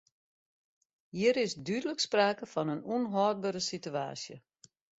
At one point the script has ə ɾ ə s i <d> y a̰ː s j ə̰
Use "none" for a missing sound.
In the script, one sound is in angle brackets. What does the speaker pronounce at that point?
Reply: t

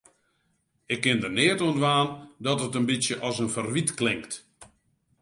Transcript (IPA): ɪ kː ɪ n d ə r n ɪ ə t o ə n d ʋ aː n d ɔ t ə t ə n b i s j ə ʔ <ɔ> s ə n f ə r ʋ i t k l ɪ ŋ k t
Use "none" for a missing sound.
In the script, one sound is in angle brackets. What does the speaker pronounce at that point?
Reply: ɔ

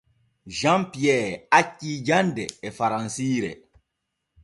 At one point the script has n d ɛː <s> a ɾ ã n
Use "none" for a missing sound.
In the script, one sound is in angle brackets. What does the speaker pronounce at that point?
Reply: f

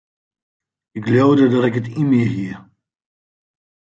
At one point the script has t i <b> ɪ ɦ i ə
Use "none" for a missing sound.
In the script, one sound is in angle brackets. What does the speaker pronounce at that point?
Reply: m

